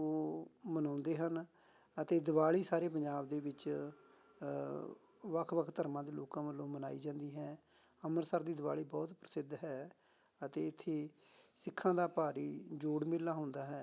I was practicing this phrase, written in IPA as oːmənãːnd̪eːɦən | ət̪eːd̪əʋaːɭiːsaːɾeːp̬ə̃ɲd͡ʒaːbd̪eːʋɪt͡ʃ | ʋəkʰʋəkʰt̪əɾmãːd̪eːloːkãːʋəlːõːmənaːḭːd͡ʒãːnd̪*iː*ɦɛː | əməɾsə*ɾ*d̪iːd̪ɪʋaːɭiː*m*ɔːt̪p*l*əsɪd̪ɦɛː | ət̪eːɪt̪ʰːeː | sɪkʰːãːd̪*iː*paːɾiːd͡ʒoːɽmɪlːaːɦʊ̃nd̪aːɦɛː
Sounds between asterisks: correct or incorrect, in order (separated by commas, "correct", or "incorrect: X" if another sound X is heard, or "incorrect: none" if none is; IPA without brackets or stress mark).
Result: correct, correct, incorrect: b, incorrect: ɾ, incorrect: aː